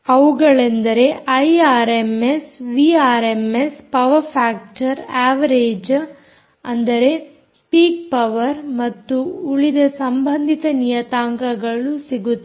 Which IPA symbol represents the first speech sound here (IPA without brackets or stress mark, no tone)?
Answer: ɐ